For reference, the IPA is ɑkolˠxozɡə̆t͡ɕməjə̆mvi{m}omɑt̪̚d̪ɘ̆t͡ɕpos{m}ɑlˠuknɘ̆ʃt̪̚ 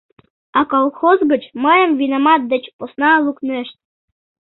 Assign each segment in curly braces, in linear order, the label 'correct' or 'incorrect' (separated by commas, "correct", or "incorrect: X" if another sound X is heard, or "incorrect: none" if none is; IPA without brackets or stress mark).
incorrect: n, incorrect: n